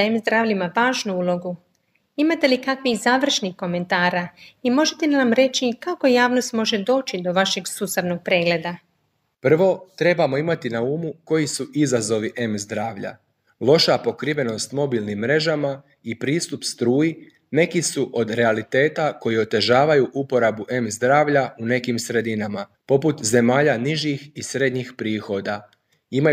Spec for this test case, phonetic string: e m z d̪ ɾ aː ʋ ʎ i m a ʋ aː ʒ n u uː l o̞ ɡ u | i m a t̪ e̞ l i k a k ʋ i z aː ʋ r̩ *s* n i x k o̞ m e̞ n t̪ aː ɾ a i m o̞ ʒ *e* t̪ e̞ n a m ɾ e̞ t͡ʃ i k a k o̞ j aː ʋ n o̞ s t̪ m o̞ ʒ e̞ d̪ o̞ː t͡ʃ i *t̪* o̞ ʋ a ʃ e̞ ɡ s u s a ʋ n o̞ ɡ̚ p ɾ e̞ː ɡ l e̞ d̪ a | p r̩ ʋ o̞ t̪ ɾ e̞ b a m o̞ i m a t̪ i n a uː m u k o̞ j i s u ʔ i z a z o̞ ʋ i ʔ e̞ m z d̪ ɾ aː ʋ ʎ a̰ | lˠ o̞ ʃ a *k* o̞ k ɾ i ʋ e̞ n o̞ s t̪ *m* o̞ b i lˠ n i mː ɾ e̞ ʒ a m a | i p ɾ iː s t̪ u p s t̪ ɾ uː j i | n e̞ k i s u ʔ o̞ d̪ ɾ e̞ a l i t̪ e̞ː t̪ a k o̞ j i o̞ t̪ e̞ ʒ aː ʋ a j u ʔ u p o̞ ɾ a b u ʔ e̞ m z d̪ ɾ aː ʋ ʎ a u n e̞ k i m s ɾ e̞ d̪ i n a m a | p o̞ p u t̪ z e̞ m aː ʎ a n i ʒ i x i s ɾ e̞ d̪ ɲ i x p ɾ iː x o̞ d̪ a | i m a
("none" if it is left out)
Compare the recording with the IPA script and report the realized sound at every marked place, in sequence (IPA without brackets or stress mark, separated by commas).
ʃ, e, d̪, p, m